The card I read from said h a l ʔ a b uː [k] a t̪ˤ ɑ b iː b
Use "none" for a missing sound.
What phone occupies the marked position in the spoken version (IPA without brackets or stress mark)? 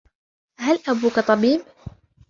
k